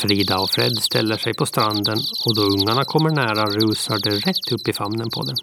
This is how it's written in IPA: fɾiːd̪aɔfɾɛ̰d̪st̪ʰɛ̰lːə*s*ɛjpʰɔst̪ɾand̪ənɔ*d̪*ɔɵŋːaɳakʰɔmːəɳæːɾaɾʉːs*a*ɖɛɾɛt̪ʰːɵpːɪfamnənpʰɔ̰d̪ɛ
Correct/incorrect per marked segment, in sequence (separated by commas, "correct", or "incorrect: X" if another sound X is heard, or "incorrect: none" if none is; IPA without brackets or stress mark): incorrect: ʂ, correct, correct